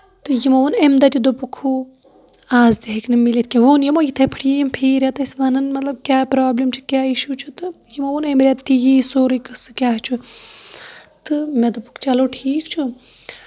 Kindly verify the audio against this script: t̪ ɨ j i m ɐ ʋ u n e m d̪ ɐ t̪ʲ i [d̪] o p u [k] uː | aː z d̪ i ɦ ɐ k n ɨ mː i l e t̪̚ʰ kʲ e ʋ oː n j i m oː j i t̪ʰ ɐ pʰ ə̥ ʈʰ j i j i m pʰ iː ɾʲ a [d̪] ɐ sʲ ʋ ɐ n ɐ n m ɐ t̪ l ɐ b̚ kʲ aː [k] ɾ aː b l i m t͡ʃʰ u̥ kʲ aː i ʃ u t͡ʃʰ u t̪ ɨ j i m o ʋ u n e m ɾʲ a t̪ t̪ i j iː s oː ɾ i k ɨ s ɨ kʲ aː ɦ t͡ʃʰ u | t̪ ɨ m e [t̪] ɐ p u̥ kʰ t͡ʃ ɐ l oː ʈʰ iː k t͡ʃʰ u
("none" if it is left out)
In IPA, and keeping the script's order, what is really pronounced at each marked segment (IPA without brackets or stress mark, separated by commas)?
d̪, kʰ, t̪, p, d̪